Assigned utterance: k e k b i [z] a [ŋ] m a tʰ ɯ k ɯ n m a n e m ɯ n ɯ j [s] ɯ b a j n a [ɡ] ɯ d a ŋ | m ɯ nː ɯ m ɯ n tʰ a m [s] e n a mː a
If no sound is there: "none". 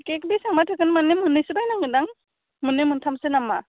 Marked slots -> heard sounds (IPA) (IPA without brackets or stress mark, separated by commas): s, ŋ, s, ŋ, s